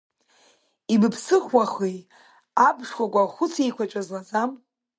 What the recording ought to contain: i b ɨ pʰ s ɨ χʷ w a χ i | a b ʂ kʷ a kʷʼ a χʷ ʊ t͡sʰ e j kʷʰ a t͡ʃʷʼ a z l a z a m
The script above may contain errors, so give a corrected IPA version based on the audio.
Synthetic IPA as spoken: i b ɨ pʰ s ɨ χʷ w a χ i | a b ʂ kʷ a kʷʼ a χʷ ʊ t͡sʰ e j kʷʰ a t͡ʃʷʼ a z l a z a m